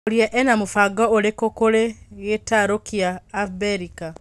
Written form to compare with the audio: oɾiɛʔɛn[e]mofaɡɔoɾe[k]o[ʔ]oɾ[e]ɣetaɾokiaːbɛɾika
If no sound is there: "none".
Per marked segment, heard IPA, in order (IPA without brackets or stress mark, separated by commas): a, k, k, e